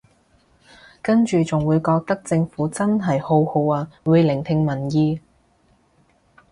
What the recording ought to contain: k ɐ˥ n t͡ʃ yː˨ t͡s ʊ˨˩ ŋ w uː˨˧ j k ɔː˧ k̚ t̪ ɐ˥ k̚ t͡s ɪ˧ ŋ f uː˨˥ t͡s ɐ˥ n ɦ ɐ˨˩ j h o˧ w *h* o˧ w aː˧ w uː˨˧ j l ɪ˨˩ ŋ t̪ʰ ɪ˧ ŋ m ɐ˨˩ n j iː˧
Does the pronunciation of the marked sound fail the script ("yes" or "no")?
no